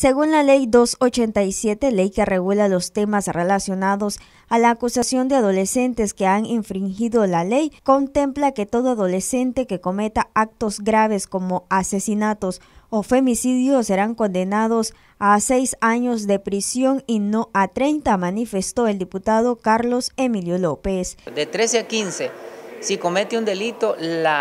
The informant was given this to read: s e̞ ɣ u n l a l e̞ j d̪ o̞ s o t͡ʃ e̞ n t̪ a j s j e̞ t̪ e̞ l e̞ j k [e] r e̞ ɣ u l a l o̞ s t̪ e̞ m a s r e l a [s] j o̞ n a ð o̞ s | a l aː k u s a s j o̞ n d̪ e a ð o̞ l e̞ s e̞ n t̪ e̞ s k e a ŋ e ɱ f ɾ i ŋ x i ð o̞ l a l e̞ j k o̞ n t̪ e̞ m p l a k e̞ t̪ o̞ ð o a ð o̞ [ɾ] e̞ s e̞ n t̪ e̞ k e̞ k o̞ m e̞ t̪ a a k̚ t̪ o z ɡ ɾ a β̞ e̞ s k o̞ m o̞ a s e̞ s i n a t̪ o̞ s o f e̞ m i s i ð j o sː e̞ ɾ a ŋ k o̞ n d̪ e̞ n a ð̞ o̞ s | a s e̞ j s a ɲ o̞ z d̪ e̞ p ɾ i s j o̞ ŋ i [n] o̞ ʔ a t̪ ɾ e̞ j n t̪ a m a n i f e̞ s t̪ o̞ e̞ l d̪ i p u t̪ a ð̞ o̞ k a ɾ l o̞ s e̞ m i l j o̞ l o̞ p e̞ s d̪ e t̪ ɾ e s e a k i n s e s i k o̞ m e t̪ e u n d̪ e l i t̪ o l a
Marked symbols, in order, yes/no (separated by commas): yes, yes, no, yes